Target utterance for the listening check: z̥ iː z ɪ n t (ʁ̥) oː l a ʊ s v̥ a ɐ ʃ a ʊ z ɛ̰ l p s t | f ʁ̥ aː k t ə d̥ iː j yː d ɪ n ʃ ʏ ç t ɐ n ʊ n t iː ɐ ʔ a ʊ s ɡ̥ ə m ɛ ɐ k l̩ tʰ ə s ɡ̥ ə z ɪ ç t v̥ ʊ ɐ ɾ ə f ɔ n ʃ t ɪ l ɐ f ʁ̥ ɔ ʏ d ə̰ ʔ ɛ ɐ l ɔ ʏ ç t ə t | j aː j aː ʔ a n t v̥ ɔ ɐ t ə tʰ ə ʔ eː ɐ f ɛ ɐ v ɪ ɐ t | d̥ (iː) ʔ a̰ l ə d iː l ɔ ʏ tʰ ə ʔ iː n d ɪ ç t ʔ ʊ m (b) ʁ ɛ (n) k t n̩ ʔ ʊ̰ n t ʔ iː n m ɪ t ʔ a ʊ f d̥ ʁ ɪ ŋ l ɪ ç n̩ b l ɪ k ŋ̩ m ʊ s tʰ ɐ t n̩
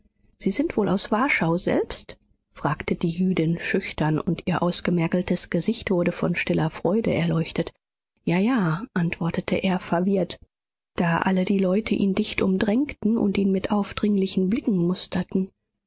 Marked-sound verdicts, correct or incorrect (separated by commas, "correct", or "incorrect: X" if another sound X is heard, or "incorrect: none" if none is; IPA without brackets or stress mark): incorrect: v̥, incorrect: aː, incorrect: d, incorrect: ŋ